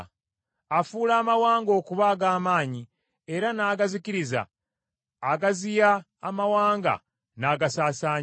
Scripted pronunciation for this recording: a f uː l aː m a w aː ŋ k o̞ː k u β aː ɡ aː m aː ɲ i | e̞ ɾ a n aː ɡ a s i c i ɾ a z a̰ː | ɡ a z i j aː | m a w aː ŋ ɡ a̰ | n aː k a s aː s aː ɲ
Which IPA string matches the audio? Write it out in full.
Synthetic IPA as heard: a f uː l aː m a w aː ŋ ɡ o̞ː k u β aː ɡ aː m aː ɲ i | e̞ ɾ a n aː ɡ a z i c i ɾ i z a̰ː | ɡ a z i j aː | m a w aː ŋ ɡ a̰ | n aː ɡ a s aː s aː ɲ